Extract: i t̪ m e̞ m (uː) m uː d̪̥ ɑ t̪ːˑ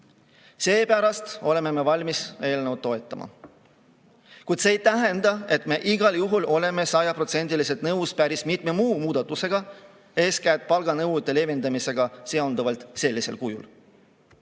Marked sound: correct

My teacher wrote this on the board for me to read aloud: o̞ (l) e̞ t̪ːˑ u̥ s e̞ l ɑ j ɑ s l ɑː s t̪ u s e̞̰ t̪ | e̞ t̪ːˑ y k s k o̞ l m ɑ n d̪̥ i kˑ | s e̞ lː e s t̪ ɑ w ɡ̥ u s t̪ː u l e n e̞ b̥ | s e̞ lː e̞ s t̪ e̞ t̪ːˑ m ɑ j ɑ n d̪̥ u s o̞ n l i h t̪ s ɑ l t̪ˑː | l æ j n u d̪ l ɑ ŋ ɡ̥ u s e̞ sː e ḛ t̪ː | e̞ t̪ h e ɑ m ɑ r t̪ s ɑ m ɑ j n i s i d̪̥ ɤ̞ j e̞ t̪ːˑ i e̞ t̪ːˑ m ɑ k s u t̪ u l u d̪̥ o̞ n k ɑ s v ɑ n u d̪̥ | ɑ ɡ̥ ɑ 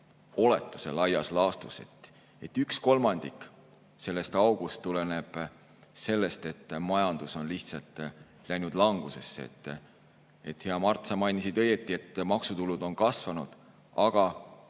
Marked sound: correct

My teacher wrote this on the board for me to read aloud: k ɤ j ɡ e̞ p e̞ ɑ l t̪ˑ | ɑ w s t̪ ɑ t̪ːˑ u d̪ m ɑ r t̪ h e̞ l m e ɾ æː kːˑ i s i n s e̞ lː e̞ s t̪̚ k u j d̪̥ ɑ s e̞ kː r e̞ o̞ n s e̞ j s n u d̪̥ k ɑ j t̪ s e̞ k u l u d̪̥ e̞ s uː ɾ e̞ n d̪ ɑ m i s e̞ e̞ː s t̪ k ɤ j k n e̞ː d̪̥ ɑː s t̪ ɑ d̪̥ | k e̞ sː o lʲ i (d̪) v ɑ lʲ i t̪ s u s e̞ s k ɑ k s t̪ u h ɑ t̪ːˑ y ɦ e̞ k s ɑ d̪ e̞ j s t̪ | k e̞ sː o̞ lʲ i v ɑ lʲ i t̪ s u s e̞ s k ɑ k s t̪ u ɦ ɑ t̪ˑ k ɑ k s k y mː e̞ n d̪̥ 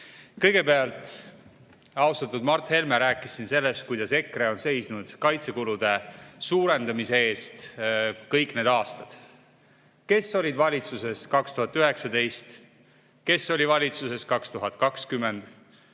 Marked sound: correct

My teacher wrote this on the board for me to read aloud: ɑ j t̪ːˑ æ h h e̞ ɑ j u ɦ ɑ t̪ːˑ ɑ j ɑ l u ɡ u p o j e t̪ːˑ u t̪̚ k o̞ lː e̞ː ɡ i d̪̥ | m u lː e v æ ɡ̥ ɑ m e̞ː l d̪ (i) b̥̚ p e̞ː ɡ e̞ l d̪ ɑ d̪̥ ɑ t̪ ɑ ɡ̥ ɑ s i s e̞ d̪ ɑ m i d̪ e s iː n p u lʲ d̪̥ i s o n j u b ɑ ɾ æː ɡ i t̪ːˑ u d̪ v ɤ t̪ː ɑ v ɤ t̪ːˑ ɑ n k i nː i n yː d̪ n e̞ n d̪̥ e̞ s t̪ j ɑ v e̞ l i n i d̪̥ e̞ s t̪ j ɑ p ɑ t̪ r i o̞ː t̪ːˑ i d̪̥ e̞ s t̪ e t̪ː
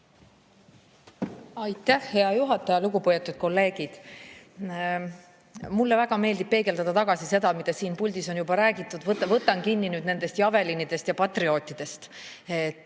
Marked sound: correct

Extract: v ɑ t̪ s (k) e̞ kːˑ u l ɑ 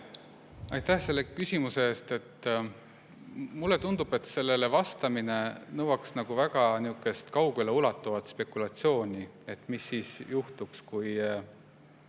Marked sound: incorrect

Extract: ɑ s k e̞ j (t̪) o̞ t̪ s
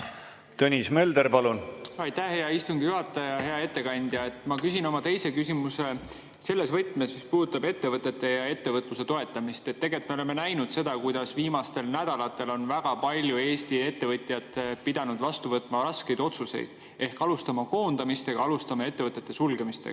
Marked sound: incorrect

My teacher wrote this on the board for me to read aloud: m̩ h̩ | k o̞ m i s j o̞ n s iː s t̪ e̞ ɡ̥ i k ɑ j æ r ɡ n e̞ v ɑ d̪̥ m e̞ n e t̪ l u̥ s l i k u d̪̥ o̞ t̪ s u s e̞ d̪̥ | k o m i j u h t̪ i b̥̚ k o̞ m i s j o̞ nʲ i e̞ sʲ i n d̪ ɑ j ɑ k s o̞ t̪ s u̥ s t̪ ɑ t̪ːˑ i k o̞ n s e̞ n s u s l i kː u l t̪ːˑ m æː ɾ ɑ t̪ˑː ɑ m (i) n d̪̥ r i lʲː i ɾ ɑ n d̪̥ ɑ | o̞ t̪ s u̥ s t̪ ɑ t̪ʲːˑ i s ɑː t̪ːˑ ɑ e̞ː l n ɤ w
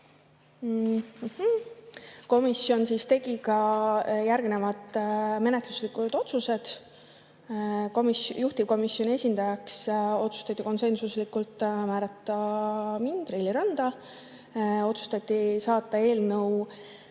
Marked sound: correct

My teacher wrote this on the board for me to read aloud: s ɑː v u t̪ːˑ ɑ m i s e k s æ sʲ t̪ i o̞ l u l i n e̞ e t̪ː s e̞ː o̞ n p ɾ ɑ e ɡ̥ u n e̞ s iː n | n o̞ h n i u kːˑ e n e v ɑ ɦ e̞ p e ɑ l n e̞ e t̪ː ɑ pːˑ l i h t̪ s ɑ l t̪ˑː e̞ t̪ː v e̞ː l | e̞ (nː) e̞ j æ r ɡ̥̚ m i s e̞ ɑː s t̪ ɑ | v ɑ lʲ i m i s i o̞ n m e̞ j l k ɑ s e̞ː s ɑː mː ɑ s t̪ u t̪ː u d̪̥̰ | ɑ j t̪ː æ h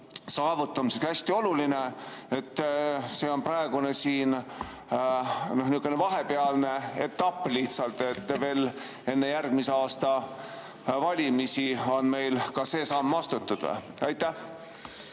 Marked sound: correct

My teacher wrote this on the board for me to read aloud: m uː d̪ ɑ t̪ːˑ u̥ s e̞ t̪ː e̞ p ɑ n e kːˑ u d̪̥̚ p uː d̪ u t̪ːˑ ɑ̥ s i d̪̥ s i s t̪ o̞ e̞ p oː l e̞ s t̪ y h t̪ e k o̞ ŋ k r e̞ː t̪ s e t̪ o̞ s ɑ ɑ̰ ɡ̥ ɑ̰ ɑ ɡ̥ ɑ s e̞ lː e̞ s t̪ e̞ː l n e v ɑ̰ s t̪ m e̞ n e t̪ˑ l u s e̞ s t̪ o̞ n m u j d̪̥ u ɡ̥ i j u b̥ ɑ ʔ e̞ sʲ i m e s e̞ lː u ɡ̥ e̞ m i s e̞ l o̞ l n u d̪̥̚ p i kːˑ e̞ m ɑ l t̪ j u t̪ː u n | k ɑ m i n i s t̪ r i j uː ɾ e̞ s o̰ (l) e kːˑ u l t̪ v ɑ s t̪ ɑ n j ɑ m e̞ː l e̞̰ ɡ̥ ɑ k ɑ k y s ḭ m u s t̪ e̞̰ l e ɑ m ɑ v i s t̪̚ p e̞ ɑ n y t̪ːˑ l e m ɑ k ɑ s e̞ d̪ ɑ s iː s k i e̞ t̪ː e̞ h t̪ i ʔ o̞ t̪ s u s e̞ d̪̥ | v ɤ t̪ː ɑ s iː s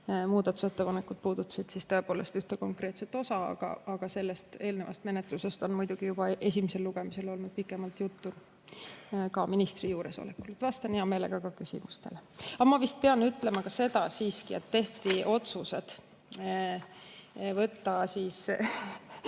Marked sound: correct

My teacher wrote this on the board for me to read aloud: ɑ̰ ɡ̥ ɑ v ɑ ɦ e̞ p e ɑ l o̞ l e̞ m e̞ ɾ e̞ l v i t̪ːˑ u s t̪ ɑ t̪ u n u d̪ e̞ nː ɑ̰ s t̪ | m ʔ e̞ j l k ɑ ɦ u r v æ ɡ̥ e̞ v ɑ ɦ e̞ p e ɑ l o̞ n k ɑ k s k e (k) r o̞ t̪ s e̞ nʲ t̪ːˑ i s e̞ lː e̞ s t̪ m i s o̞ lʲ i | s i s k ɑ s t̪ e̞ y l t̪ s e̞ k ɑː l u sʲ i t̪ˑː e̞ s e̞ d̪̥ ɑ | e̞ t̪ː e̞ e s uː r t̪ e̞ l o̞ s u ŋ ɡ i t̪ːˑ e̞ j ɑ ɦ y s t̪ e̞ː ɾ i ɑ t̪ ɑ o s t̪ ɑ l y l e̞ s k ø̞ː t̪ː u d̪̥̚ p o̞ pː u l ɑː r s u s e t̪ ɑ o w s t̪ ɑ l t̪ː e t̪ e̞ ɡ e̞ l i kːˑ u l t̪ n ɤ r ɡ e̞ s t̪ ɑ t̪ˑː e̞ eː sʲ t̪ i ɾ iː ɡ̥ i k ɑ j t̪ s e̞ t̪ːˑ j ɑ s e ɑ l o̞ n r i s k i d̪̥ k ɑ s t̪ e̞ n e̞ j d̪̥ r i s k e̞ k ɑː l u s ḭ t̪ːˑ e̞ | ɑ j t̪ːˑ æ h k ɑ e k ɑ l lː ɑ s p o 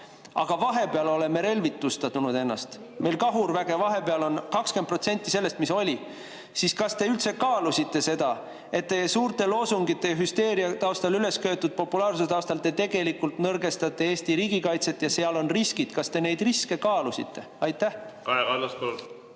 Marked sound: incorrect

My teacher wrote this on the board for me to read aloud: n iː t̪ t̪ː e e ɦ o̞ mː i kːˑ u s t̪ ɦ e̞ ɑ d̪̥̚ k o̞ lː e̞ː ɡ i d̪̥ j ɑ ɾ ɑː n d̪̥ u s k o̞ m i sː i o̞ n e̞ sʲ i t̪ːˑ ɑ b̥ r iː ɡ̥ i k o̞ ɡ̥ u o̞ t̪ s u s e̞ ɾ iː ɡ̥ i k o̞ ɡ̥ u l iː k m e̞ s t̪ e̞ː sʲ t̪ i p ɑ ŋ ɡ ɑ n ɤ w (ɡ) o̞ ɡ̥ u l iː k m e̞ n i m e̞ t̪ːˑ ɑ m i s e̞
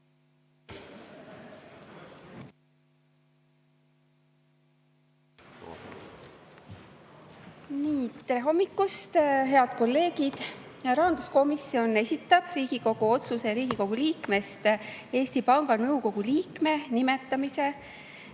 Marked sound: incorrect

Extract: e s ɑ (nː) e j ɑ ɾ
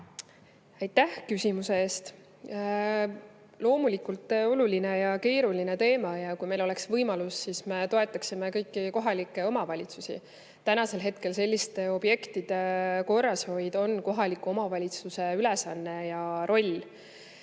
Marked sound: correct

